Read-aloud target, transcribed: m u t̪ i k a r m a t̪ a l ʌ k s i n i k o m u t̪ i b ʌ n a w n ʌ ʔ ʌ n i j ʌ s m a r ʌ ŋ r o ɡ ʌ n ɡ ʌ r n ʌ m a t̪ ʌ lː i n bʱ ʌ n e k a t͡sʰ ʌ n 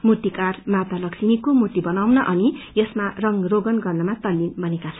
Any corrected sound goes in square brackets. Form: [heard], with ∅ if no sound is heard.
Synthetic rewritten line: m u t̪ i k a r m a t̪ a l ʌ k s i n i k o m u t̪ i b ʌ n a w n ʌ ʔ ʌ n i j ʌ s m a r ʌ ŋ r o ɡ ʌ n ɡ ʌ r n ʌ m a t̪ ʌ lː i n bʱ ʌ n e k a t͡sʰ ʌ n